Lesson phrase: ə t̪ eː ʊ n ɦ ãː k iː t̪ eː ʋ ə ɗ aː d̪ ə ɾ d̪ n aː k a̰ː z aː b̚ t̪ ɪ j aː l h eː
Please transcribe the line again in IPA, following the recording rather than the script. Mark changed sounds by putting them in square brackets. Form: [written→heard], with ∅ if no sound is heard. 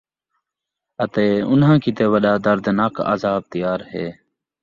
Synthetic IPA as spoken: ə t̪ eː ʊ n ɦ ãː k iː t̪ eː ʋ ə ɗ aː d̪ ə ɾ d̪ n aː k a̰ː z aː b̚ t̪ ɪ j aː [l→ɾ] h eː